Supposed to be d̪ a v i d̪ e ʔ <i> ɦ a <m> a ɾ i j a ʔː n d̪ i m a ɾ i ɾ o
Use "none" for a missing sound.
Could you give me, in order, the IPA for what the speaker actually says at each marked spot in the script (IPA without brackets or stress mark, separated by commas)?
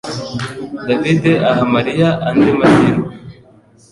a, m